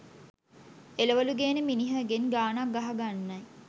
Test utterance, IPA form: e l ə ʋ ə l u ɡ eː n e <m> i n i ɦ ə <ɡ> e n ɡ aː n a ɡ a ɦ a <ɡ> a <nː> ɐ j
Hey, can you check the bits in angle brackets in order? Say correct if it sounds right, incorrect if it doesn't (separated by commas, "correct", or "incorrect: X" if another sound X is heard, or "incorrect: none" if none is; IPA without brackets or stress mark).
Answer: correct, correct, correct, correct